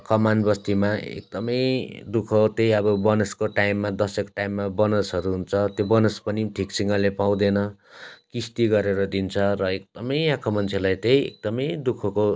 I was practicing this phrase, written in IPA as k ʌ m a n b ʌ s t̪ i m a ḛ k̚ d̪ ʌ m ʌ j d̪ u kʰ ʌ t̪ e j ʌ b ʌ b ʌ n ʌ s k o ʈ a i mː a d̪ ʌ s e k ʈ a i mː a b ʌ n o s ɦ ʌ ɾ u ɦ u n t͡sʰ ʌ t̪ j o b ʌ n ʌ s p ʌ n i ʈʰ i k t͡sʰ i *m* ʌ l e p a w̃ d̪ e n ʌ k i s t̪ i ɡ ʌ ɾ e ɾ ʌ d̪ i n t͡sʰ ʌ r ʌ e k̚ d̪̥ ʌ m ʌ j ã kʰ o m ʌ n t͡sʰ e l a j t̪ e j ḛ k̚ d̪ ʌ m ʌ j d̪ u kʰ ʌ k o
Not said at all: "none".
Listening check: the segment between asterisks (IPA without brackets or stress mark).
ŋ